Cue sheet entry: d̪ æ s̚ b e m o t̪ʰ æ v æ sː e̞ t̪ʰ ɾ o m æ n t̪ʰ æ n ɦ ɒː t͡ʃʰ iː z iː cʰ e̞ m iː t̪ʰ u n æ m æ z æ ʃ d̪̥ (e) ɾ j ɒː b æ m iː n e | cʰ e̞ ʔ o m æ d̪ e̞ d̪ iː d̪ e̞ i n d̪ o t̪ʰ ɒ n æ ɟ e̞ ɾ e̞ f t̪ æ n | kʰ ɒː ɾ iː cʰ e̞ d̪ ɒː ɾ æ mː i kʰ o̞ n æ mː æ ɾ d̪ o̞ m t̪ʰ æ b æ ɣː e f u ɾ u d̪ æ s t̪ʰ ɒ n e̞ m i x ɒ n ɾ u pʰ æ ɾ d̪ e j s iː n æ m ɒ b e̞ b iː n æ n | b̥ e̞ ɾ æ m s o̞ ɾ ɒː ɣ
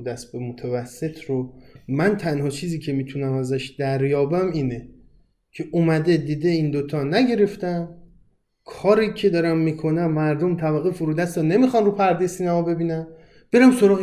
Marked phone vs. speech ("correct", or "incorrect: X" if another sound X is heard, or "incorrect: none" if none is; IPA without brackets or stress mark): incorrect: æ